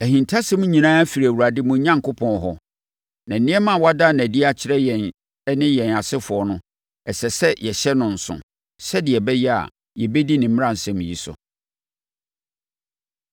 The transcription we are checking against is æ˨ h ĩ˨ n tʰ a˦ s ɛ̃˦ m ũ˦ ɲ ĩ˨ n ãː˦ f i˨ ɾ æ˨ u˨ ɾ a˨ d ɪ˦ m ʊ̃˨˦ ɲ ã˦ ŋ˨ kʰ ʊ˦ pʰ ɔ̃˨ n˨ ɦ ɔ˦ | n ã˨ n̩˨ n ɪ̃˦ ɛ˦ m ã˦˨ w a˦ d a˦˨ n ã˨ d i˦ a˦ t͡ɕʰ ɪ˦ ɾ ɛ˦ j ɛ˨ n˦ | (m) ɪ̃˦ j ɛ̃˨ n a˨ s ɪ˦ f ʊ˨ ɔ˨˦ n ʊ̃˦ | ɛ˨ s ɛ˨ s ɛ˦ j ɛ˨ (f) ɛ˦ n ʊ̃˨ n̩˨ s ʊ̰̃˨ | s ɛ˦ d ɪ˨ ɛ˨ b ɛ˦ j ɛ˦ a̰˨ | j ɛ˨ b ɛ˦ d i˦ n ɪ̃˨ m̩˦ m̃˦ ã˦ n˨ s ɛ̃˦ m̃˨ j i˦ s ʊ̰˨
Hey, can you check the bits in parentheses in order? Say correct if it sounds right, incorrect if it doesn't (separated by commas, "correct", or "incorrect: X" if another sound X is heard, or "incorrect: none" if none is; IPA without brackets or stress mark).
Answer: incorrect: n, incorrect: ɕ